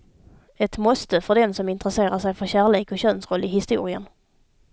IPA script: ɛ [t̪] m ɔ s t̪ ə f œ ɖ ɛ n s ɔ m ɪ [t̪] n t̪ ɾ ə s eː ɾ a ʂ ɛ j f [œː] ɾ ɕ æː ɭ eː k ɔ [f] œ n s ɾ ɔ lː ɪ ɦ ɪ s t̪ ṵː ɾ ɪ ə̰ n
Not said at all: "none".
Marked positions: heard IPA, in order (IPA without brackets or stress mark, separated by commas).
t̪, none, œ, ɕ